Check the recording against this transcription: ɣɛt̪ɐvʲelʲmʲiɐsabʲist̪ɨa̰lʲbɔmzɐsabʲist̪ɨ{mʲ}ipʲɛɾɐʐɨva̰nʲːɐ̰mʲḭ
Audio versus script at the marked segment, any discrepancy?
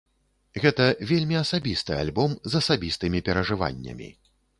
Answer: no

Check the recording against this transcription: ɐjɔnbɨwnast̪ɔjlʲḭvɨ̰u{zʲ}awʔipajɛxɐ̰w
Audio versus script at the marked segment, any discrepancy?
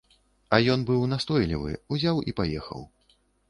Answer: no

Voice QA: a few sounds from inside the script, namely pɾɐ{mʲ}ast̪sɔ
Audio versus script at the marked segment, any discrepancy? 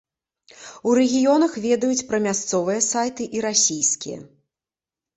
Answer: no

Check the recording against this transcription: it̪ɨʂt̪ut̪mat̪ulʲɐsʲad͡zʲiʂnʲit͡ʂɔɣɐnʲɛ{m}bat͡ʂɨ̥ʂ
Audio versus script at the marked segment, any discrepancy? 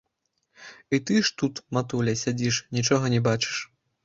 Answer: yes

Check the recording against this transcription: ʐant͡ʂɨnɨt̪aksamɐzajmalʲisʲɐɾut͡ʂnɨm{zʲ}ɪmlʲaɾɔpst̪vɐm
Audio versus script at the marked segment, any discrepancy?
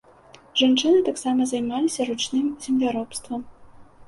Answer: no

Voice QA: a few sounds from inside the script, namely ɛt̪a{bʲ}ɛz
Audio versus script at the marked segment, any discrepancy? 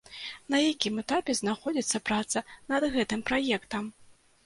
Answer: yes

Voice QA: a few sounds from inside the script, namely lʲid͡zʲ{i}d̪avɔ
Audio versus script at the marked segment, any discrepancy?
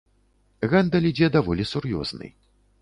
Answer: yes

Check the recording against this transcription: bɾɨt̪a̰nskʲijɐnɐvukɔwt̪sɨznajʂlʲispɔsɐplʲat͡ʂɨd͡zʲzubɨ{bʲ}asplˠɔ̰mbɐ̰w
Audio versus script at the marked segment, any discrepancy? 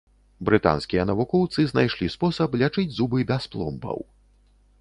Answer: no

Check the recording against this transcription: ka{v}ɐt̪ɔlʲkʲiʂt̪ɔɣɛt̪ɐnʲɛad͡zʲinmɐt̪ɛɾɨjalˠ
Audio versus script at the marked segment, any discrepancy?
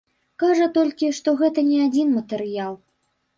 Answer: yes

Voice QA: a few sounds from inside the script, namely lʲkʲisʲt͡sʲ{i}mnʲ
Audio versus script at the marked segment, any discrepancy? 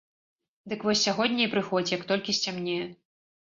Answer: yes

